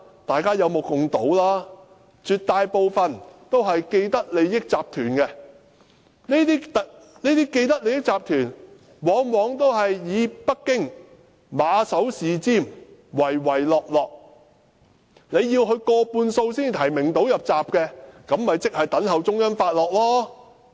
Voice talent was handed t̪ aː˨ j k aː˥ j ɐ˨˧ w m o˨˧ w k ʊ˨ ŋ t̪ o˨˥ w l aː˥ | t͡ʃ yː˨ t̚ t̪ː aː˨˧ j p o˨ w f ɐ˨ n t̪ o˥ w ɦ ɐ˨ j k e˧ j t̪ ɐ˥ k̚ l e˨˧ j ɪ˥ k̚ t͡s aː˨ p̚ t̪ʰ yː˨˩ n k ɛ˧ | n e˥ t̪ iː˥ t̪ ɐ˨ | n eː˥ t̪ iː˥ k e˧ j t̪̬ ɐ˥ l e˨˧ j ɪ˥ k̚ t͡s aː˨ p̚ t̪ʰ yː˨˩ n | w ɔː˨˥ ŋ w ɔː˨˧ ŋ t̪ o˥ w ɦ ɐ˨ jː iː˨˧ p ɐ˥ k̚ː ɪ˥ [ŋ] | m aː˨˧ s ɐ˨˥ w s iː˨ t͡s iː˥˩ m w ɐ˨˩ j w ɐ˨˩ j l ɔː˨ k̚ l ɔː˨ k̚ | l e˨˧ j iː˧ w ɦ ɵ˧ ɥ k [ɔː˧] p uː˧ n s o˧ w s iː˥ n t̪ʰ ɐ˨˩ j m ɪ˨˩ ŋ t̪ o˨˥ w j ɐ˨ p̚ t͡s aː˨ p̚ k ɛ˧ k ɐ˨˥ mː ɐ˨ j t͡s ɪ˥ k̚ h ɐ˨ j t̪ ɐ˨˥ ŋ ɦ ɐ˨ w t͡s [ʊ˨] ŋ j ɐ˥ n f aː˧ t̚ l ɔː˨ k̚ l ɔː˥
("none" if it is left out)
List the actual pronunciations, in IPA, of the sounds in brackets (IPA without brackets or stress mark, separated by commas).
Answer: ŋ, ɔː˧, ʊ˥